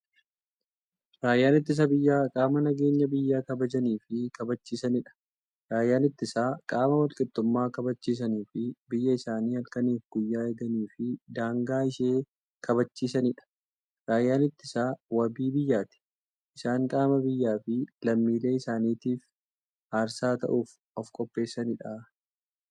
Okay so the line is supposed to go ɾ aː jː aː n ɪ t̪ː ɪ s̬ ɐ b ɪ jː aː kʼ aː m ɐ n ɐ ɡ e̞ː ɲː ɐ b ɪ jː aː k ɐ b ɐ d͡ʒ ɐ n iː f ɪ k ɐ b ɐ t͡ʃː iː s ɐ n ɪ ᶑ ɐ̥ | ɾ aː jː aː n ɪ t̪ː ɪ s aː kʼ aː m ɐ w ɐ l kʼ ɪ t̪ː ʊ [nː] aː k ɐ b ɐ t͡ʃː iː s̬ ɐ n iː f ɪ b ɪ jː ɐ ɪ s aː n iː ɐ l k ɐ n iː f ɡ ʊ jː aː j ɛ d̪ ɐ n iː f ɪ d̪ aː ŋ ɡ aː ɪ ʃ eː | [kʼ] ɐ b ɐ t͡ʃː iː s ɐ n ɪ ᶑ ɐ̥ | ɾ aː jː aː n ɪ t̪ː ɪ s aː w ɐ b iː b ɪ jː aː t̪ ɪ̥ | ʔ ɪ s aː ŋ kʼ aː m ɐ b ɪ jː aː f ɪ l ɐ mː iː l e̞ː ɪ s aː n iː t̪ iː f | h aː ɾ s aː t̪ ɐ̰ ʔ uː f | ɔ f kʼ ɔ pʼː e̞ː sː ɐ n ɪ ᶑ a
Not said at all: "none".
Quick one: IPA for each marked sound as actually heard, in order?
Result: mː, k

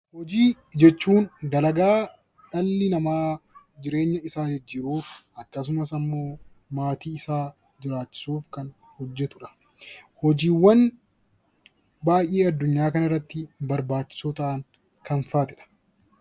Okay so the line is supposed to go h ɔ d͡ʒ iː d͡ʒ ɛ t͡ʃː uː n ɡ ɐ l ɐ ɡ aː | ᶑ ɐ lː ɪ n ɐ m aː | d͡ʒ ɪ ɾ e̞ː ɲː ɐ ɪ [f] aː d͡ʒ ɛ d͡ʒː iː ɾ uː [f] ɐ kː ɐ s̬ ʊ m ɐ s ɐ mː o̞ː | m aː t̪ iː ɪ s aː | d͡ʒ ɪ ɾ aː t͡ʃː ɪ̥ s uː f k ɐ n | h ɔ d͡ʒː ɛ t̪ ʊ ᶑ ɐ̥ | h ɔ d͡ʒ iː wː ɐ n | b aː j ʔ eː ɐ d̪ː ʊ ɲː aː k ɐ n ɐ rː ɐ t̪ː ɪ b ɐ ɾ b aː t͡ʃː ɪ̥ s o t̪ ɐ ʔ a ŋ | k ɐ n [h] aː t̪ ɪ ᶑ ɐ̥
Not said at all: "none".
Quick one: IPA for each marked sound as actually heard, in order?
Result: s, f, f

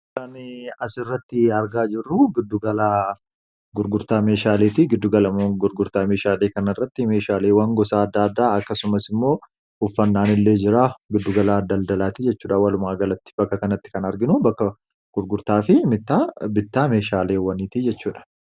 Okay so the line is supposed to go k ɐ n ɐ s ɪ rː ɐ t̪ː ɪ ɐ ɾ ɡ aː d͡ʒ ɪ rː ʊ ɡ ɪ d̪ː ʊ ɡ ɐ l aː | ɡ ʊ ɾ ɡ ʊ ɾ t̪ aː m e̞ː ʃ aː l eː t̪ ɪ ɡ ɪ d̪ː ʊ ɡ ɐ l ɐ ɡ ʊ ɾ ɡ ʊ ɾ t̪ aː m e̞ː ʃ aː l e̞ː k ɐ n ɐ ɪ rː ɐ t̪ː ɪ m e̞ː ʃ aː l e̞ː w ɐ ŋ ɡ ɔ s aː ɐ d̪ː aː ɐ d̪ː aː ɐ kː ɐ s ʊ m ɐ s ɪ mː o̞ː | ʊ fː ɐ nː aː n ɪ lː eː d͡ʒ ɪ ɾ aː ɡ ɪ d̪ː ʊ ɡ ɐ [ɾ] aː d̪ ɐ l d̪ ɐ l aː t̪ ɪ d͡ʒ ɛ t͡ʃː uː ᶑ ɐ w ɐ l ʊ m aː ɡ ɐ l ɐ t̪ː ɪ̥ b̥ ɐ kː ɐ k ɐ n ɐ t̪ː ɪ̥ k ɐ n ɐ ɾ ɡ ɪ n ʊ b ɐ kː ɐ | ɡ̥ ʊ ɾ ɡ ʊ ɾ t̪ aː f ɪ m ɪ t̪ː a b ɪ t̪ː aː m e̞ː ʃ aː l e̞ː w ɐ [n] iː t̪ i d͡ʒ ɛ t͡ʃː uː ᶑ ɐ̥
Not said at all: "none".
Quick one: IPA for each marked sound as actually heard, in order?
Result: l, n

